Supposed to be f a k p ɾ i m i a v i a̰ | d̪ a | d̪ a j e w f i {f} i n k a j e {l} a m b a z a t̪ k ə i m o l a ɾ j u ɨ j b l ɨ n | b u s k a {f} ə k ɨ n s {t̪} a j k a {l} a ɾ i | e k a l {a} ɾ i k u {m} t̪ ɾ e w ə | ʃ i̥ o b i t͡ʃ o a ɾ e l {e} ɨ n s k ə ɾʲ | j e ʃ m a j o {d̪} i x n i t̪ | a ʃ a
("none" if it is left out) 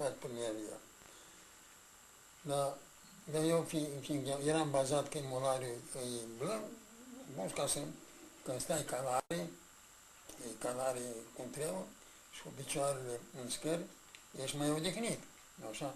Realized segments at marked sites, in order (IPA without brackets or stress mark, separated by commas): f, ɾ, s, t̪, l, a, n, e, d̪